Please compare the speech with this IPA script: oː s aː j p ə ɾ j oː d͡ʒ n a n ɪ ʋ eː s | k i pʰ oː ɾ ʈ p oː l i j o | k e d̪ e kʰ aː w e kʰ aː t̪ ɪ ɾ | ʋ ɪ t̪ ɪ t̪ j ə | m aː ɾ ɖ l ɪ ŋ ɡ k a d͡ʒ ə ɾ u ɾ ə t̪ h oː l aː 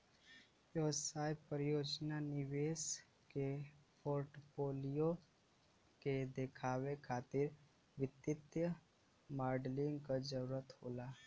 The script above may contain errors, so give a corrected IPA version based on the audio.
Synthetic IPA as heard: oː s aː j p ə ɾ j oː d͡ʒ n a n ɪ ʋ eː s | k e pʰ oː ɾ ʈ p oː l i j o | k e d̪ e kʰ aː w e kʰ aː t̪ ɪ ɾ | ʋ ɪ t̪ ɪ t̪ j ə | m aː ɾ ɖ l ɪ ŋ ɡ k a d͡ʒ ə ɾ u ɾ ə t̪ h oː l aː